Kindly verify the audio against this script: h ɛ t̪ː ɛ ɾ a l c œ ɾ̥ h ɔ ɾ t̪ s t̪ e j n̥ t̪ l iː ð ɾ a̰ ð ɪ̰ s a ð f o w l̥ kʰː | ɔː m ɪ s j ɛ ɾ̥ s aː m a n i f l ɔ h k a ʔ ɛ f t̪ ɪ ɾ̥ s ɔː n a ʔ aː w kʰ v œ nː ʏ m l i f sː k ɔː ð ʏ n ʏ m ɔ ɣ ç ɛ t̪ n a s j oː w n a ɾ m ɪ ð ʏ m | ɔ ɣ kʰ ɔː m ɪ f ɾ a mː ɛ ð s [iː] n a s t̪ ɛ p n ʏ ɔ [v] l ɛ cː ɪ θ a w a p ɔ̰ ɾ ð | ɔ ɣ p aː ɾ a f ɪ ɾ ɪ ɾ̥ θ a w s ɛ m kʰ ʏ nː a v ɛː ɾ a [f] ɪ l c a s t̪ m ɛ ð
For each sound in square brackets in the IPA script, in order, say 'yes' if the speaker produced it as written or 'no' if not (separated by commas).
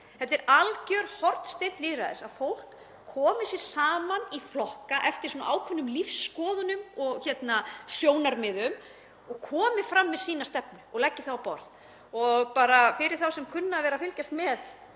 yes, no, yes